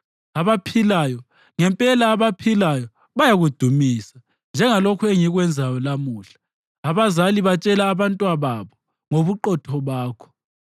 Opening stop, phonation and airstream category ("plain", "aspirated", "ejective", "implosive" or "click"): aspirated